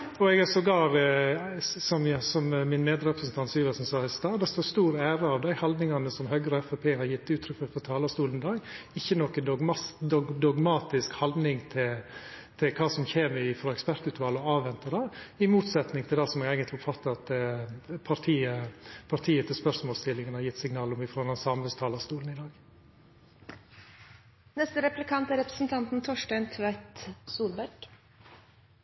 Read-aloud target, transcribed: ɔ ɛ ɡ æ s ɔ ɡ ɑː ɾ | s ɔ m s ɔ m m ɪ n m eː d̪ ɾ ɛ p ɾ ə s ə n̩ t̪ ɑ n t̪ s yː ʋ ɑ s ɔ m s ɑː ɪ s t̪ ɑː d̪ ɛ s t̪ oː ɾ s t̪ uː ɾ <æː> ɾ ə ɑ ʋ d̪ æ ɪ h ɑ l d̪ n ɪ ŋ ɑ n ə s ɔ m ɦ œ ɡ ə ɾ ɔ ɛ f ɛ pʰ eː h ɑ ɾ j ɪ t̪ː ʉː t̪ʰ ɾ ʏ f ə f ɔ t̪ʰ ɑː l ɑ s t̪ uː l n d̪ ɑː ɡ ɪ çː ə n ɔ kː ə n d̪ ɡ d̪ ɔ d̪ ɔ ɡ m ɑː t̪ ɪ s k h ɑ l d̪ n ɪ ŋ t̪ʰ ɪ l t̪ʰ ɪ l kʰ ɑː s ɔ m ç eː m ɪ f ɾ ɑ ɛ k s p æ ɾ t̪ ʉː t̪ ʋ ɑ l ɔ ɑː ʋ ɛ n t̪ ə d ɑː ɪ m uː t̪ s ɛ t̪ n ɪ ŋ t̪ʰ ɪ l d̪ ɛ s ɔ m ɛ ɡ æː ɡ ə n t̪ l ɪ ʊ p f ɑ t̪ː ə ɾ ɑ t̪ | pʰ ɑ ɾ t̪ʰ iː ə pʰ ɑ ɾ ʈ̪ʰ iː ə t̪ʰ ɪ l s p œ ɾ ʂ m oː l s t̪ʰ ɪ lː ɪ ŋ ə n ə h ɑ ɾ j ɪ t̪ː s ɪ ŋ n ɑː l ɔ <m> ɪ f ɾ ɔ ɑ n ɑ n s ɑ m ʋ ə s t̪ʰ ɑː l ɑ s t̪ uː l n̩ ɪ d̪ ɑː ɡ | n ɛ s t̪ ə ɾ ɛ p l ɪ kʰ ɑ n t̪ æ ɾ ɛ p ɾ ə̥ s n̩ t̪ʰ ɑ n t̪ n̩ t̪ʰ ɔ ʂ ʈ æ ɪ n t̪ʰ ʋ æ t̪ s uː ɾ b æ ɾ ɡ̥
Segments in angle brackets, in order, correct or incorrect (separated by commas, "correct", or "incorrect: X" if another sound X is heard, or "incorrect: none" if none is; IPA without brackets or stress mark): correct, correct